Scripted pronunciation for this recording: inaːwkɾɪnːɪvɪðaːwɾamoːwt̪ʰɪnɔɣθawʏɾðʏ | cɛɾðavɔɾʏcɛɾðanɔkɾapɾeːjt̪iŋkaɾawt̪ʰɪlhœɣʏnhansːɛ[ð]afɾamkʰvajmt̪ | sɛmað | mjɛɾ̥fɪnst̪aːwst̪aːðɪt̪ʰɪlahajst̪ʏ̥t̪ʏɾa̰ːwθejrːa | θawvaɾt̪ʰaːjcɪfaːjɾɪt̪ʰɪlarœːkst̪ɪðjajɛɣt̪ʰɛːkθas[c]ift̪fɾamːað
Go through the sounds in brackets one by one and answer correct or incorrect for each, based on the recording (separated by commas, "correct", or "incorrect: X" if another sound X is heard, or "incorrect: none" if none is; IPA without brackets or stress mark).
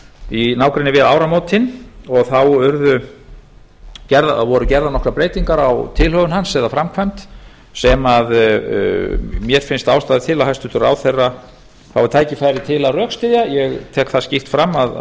correct, correct